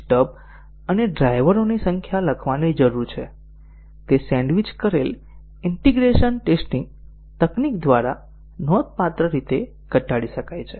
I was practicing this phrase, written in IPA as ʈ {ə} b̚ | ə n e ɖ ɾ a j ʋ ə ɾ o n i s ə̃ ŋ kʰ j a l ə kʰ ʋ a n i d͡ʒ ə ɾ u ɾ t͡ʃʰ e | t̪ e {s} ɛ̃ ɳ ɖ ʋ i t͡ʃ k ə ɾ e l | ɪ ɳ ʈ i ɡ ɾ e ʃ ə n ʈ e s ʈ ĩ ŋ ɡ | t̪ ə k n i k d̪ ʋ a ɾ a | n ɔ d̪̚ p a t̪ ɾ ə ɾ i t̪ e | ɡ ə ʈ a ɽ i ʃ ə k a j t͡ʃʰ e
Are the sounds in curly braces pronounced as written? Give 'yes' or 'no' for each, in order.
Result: yes, yes

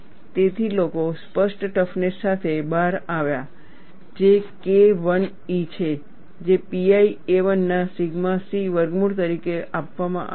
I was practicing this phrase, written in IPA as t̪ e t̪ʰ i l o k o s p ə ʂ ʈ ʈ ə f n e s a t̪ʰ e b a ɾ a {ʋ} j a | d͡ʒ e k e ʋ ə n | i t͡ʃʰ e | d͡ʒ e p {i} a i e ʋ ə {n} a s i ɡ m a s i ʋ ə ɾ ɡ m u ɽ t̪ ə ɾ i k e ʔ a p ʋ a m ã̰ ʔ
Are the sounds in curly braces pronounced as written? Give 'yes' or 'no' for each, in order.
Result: yes, yes, no

